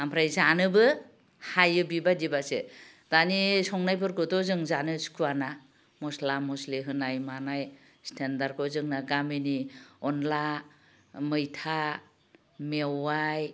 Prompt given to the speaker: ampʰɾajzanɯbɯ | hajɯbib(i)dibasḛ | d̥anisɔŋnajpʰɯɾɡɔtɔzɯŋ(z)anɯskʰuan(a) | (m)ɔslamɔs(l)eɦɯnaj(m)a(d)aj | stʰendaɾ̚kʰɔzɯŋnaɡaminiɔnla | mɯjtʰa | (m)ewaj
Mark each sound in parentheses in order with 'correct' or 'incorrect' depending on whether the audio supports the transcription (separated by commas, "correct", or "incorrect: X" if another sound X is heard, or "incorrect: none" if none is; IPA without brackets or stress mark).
incorrect: a, correct, correct, correct, correct, correct, incorrect: n, correct